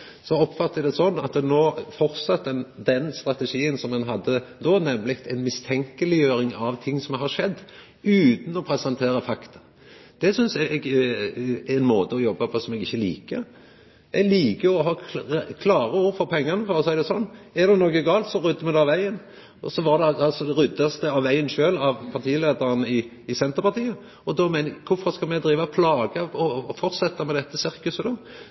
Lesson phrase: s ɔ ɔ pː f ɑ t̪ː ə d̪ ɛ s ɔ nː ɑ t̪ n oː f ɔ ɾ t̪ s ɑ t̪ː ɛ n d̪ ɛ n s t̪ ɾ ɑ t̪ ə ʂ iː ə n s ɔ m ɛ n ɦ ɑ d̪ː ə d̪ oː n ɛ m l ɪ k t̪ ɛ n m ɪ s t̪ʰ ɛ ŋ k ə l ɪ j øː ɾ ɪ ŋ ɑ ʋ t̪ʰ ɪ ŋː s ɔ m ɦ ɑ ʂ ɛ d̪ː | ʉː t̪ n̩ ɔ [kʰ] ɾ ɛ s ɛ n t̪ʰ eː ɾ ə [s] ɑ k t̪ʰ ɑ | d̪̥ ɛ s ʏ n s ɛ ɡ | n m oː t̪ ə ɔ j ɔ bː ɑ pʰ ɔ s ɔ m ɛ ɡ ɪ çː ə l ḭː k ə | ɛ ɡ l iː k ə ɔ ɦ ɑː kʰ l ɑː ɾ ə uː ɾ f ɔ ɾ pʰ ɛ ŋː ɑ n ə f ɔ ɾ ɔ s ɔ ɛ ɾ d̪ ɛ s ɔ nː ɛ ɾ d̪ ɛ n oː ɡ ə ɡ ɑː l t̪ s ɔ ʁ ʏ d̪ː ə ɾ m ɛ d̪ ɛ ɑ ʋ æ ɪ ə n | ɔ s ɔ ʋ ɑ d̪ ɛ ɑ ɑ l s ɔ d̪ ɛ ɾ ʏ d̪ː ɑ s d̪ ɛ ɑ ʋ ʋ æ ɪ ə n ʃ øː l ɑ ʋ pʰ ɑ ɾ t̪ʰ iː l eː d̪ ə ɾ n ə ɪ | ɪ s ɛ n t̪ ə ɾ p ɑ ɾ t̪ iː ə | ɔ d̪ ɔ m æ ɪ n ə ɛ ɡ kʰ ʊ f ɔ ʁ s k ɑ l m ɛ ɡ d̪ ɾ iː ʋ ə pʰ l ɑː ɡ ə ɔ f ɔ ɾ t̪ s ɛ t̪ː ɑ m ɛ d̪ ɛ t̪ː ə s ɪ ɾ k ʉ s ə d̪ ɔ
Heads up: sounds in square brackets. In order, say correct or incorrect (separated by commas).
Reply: incorrect, incorrect